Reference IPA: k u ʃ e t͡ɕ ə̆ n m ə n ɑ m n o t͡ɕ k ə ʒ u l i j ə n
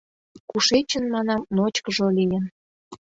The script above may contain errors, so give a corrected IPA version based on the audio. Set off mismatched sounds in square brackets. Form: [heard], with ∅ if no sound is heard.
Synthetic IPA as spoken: k u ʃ e t͡ɕ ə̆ n m [ɑ] n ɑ m n o t͡ɕ k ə ʒ [o] l i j ə n